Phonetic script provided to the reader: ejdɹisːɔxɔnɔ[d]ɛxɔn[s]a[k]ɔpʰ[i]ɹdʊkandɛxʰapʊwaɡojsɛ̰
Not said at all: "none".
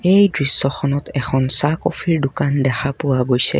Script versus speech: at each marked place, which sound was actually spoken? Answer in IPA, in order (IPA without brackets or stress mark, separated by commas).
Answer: t, s, k, i